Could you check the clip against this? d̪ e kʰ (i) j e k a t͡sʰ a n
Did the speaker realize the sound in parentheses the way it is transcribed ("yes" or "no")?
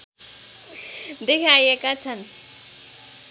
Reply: no